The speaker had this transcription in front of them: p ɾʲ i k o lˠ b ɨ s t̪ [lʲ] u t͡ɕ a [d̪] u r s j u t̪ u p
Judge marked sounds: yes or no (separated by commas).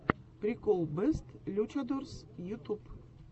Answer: yes, yes